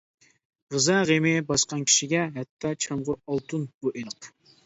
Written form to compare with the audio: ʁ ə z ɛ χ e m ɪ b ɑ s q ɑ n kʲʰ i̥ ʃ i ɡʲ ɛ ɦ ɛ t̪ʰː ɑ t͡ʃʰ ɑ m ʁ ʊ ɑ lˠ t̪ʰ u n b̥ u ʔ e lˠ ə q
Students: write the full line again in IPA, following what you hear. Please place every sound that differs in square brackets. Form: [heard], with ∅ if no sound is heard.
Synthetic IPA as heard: ʁ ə z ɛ [ʁ] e m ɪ b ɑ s q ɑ n kʲʰ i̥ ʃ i ɡʲ ɛ ɦ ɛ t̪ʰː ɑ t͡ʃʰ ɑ m ʁ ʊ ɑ lˠ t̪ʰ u n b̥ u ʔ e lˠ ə q